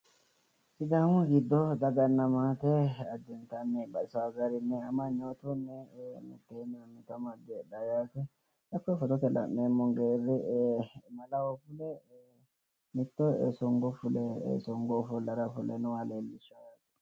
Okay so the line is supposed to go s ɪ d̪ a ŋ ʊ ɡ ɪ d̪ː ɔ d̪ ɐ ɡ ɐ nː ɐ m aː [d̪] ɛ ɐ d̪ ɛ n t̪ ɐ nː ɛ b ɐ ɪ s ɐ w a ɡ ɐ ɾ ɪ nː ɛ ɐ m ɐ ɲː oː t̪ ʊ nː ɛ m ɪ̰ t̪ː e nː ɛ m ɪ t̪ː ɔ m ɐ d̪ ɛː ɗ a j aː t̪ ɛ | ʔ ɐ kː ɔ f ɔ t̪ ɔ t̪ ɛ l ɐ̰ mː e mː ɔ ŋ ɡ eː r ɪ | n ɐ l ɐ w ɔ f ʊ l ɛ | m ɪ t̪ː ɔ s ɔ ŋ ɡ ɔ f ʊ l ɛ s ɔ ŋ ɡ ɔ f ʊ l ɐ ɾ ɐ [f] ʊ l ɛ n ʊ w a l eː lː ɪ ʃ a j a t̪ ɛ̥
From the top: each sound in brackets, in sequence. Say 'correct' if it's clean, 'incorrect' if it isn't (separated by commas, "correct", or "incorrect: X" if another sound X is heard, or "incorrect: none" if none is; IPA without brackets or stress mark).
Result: incorrect: t̪, correct